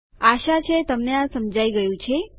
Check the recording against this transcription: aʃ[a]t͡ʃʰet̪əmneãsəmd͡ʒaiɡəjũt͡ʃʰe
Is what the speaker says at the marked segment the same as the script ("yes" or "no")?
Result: yes